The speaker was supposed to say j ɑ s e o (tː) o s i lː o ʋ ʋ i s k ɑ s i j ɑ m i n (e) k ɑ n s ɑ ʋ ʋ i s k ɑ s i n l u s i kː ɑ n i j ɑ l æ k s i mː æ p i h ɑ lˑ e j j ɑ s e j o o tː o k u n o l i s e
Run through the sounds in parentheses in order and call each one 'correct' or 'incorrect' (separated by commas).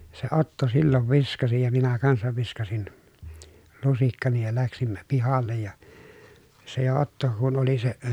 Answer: correct, incorrect